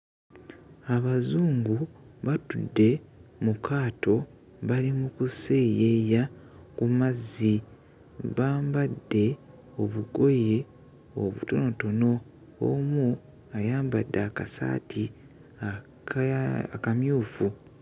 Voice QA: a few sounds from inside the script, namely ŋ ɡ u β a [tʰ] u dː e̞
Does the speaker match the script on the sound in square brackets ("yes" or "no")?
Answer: no